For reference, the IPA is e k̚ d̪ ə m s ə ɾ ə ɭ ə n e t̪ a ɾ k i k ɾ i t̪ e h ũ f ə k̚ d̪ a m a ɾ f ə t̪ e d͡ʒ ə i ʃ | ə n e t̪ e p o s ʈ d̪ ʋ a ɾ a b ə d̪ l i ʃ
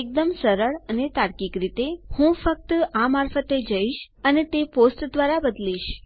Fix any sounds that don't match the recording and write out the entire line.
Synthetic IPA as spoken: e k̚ d̪ ə m s ə ɾ ə ɭ ə n e t̪ a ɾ k i k ɾ i t̪ e h ũ f ə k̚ t̪ a m a ɾ f ə t̪ e d͡ʒ ə i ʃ | ə n e t̪ e p o s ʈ d̪ ʋ a ɾ a b ə d̪ l i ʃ